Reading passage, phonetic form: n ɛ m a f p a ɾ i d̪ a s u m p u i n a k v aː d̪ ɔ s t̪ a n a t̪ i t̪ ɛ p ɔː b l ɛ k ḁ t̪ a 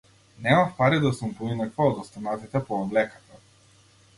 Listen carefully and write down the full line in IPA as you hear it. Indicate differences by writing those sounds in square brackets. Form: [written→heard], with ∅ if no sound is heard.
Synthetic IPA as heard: n ɛ m a f p a ɾ i d̪ a s u m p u i n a k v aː d̪ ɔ s t̪ a n a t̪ i t̪ ɛ p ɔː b l ɛ k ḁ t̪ a